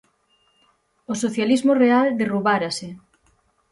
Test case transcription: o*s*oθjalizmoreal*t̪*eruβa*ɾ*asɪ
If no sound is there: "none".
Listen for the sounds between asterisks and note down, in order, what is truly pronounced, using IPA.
s, d̪, ɾ

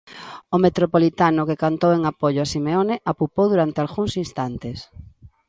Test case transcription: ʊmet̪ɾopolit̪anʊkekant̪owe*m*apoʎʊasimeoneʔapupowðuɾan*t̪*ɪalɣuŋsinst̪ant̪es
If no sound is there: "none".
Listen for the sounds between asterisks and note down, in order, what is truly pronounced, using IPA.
ŋ, t̪

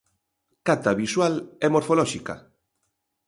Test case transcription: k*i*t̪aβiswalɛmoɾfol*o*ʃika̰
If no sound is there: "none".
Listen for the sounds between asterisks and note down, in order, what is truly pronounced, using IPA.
a, ɔ

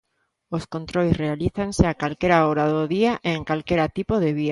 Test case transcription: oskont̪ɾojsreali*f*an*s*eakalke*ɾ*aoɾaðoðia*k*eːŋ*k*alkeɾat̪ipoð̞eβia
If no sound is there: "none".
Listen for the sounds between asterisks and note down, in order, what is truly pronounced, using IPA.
θ, s, ɾ, ʔ, k

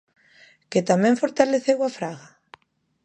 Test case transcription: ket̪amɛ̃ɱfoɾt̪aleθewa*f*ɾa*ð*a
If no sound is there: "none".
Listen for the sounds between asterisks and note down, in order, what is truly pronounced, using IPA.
f, ɣ

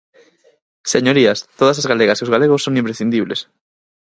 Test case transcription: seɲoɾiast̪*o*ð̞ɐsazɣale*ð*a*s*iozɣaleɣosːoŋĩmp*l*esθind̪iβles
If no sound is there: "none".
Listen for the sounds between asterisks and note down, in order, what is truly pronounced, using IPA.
o, ɣ, s, ɾ

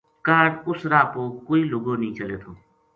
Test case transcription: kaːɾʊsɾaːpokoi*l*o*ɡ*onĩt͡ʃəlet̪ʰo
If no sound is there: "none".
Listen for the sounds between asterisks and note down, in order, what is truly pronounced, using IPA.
l, ɡ

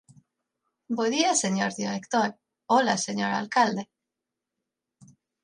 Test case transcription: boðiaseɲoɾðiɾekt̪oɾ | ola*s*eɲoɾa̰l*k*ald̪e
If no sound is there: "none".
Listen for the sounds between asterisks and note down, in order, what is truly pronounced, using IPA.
s, k

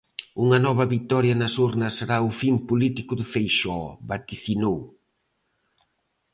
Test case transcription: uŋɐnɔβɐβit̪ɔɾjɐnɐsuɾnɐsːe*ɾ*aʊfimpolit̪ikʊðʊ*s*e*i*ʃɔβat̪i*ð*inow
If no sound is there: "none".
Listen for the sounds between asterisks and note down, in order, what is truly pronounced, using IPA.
ɾ, f, j, θ

